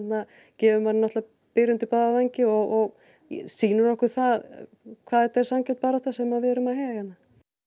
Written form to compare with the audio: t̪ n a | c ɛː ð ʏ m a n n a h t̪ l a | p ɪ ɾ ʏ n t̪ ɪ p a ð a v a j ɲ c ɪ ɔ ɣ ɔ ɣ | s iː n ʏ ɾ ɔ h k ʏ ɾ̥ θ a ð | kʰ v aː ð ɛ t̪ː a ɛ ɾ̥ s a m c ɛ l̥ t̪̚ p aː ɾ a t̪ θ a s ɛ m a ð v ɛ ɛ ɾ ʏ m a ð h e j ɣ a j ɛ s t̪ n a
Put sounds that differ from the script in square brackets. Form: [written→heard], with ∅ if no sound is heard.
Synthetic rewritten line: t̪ n a | c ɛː [ð→v] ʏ m a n n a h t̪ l a | p ɪ ɾ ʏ n t̪ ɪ p a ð a v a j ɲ c ɪ ɔ ɣ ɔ ɣ | s iː n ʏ ɾ ɔ h k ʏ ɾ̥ θ a ð | kʰ v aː ð ɛ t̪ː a ɛ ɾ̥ s a m c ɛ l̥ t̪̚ p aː ɾ a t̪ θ a s ɛ m a ð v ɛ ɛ ɾ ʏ m a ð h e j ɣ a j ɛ [s→∅] t̪ n a

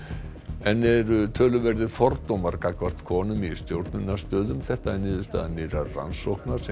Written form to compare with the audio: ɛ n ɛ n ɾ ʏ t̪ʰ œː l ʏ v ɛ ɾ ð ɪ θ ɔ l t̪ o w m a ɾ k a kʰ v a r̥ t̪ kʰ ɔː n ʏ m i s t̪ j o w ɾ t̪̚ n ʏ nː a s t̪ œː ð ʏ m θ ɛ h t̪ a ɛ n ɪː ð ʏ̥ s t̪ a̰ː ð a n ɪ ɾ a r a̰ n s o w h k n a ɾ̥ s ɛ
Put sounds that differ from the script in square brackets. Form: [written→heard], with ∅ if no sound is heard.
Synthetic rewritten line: ɛ n ɛ [n→∅] ɾ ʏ t̪ʰ œː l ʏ v ɛ ɾ ð ɪ [θ→f] ɔ [l→ɾ] t̪ o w m a ɾ k a [kʰ→k] v a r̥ t̪ kʰ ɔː n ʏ m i s t̪ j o w ɾ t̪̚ n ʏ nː a s t̪ œː ð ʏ m θ ɛ h t̪ a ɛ n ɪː ð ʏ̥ s t̪ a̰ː ð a n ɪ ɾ a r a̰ n s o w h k n a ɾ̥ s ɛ

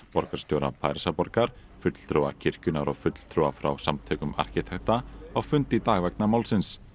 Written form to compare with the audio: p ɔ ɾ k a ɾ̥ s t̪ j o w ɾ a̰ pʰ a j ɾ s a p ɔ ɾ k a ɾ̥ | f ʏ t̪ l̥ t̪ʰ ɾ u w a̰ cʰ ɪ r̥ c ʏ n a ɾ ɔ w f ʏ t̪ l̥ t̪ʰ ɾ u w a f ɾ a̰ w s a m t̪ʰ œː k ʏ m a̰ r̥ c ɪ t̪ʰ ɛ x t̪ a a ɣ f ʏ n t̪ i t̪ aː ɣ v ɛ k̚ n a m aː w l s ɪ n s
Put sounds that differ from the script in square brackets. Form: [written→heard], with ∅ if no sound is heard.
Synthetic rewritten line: p ɔ ɾ k a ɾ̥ s t̪ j o w ɾ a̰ pʰ a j ɾ s a p ɔ ɾ k a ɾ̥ | f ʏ t̪ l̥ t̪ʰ ɾ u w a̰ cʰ ɪ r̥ c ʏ n a ɾ ɔ [w→ɣ] f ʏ t̪ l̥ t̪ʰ ɾ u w a f ɾ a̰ w s a m t̪ʰ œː k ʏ m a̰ r̥ c ɪ t̪ʰ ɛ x t̪ a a ɣ f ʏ n t̪ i t̪ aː ɣ v ɛ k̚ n a m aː w l s ɪ n s

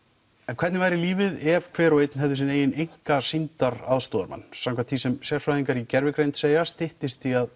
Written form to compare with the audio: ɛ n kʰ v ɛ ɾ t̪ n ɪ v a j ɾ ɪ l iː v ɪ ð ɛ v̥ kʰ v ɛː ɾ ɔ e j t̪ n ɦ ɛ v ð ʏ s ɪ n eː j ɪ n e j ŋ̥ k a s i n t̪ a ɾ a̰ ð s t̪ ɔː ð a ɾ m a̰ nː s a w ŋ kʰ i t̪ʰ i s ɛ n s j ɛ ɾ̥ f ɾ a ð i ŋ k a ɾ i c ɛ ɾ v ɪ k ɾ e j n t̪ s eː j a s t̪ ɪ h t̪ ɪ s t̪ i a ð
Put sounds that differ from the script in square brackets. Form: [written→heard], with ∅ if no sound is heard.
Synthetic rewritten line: ɛ n kʰ v ɛ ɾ t̪ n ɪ v a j ɾ ɪ l iː v ɪ ð ɛ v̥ kʰ v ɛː ɾ ɔ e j t̪ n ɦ ɛ v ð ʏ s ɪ n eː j ɪ n e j ŋ̥ k a s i n t̪ a ɾ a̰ ð s t̪ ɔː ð a ɾ m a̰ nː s a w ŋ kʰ [i→a] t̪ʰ i s ɛ [n→m] s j ɛ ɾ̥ f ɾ a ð i ŋ k a ɾ i c ɛ ɾ v ɪ k ɾ e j n t̪ s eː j a s t̪ ɪ h t̪ ɪ s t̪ i a ð

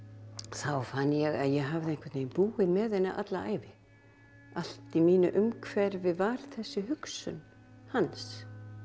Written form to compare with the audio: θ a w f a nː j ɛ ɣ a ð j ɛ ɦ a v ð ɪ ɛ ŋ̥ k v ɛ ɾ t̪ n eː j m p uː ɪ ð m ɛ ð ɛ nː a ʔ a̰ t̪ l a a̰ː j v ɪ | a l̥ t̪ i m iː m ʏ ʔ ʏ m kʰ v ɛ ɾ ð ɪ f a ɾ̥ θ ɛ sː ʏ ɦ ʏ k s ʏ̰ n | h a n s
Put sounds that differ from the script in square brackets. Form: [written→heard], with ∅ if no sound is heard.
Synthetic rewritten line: θ a w f a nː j ɛ ɣ a ð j ɛ ɦ a v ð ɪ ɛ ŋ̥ k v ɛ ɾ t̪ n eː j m p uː ɪ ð m ɛ ð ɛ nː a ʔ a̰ t̪ l a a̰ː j v ɪ | a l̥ t̪ i m iː [m→n] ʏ ʔ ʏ m kʰ v ɛ ɾ [ð→v] ɪ [f→v] a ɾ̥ θ ɛ sː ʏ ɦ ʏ k s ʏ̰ n | h a n s

